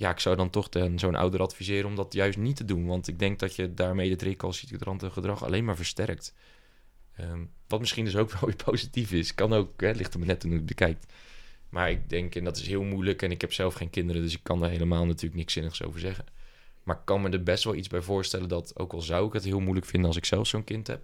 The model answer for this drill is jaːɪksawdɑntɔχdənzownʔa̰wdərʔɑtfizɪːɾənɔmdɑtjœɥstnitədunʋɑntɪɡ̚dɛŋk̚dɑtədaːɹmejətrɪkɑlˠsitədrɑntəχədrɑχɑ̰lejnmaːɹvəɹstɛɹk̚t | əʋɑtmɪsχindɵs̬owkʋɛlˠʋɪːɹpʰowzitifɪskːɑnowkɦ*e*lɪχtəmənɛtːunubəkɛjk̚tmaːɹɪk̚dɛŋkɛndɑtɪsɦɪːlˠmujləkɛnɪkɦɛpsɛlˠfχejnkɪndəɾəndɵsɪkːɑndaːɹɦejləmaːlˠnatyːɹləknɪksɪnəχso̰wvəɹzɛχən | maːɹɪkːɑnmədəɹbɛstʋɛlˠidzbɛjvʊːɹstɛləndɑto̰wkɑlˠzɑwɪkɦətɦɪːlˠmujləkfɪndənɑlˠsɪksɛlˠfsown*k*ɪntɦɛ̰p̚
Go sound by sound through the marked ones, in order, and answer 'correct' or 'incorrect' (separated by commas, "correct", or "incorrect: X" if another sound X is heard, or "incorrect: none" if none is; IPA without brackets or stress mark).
incorrect: ɛ, correct